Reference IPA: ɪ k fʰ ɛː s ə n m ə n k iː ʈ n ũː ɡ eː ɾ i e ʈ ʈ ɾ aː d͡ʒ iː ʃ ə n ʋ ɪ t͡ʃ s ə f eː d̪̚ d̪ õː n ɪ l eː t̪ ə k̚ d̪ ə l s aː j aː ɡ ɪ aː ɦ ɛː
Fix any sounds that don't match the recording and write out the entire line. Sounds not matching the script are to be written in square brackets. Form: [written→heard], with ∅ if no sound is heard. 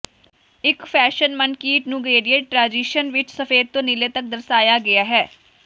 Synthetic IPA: ɪ k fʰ ɛː [s→ʃ] ə n m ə n k iː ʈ n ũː ɡ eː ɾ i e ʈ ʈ ɾ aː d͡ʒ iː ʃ ə n ʋ ɪ t͡ʃ s ə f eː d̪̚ [d̪→t̪] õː n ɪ l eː t̪ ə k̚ d̪ ə [l→ɾ] s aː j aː ɡ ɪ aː ɦ ɛː